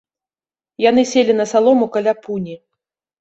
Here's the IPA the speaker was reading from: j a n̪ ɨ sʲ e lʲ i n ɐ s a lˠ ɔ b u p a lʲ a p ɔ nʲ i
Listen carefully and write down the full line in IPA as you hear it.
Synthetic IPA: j a n̪ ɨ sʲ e lʲ i n ɐ s a lˠ ɔ m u k a lʲ a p u nʲ i